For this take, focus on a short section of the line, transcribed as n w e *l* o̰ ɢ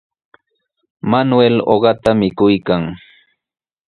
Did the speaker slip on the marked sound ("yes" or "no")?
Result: no